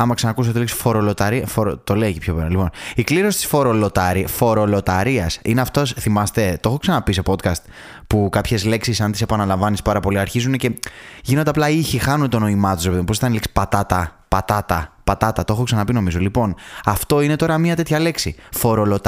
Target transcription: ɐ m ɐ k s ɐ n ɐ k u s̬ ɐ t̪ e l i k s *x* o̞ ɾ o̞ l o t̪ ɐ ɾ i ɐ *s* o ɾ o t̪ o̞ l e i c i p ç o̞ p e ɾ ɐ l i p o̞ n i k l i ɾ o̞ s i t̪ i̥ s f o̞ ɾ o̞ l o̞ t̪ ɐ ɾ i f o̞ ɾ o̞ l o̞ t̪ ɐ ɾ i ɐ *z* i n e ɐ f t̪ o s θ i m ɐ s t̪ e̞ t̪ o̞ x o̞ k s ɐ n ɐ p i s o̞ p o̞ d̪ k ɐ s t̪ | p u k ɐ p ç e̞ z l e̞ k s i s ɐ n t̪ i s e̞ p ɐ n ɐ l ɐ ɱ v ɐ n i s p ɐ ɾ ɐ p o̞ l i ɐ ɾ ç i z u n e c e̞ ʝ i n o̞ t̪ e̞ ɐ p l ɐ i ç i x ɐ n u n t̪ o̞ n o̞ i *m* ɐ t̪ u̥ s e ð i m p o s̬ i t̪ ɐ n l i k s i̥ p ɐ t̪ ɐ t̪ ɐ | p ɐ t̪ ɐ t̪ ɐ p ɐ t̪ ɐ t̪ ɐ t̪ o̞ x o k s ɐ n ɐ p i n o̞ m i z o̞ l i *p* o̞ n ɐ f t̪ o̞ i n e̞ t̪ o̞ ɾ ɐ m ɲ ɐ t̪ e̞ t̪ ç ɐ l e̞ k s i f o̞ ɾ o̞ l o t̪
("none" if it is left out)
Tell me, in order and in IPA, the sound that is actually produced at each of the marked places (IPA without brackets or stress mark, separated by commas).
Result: f, f, s, m, p